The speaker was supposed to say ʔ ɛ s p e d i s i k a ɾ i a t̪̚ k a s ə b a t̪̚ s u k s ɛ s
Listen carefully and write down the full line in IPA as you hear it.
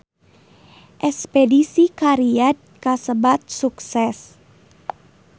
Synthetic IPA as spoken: ʔ ɛ s p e d i s i k a ɾ i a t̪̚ k a s ə b a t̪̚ s u k s ɛ s